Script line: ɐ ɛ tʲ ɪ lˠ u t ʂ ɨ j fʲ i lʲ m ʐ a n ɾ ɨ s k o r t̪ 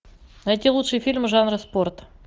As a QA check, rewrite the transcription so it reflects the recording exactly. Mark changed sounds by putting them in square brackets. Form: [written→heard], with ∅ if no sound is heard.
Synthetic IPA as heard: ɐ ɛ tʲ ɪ lˠ u t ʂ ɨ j fʲ i lʲ m ʐ a n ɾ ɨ s [k→p] o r t̪